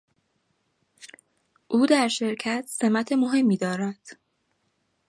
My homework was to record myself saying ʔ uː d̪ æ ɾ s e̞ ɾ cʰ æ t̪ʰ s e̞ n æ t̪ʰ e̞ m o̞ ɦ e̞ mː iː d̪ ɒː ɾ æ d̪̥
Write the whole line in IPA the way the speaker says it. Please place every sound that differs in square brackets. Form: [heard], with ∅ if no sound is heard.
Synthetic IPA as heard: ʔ uː d̪ æ ɾ [ʃ] e̞ ɾ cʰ æ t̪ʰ s e̞ [m] æ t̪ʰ e̞ m o̞ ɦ e̞ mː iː d̪ ɒː ɾ æ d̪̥